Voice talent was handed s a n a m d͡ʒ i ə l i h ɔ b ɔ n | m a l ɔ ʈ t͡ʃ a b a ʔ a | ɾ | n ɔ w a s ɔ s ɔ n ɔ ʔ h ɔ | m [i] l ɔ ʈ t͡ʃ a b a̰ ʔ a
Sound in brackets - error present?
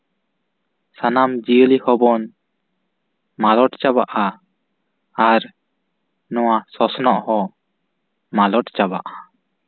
yes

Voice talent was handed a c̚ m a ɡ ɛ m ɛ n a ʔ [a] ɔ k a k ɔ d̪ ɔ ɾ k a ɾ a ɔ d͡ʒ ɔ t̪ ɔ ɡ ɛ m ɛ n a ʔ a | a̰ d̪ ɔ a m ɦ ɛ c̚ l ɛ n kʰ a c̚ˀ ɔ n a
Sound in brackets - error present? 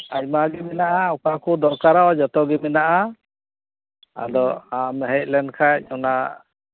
no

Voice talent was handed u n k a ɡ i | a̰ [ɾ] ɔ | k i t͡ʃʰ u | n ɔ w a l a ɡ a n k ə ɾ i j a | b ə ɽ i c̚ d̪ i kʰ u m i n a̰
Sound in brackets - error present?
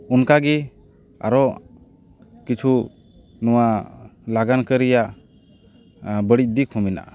no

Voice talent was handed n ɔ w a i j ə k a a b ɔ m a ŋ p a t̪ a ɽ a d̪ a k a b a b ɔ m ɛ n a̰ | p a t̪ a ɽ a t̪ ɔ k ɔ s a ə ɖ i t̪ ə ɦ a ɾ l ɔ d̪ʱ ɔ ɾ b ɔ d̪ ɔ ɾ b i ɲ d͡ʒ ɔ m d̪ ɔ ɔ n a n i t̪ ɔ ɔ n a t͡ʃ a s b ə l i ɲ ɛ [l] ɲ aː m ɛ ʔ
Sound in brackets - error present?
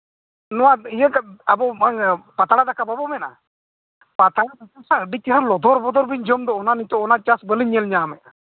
no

